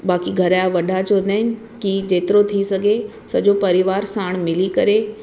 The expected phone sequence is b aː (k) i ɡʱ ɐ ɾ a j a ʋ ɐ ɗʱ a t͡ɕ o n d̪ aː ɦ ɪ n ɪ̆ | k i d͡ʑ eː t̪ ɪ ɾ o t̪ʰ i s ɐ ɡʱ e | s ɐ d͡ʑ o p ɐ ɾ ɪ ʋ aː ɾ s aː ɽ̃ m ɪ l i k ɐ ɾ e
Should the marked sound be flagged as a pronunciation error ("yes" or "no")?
no